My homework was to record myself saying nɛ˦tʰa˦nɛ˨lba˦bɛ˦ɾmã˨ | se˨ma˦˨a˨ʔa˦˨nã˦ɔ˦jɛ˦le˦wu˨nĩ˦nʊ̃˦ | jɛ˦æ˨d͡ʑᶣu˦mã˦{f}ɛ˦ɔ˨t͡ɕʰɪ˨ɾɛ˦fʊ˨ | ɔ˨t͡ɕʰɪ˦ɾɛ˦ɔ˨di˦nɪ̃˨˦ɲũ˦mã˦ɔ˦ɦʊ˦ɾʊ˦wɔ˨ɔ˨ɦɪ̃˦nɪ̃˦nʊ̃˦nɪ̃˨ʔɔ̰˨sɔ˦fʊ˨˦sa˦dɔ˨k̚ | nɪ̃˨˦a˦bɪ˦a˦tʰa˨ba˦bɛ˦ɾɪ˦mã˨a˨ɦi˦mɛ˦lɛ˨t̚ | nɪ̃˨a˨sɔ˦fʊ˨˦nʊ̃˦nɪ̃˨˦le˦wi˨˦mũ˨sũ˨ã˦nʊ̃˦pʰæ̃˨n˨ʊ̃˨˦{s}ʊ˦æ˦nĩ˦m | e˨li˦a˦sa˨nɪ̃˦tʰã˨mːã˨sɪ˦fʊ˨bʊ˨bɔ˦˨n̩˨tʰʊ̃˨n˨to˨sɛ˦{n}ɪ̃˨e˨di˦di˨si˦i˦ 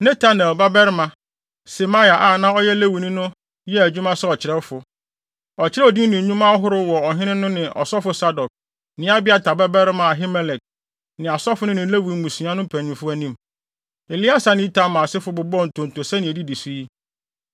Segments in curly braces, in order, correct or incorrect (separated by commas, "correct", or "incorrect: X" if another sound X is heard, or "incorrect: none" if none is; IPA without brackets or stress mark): incorrect: s, incorrect: f, correct